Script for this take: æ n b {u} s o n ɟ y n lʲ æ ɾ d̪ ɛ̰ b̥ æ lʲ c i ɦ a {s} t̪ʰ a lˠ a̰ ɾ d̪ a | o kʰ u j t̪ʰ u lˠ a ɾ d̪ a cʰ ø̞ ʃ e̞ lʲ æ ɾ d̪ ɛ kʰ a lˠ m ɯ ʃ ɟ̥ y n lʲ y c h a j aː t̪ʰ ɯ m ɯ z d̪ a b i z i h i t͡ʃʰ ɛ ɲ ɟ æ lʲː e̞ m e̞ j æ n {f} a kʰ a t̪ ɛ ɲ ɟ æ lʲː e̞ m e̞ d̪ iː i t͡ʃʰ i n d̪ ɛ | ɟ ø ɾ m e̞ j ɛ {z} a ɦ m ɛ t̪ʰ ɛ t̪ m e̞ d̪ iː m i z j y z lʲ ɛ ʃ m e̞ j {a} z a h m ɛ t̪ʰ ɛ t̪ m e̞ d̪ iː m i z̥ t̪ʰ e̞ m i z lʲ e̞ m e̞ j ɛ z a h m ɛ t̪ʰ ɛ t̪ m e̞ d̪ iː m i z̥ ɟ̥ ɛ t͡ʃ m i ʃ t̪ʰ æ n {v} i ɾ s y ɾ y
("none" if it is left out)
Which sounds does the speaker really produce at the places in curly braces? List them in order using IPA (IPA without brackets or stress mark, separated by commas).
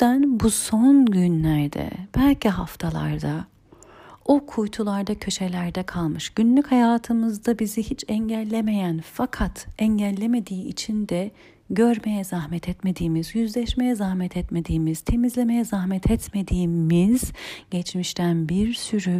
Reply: u, f, f, z, ɛ, b